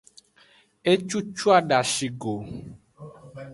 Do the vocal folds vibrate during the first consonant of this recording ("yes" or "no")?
no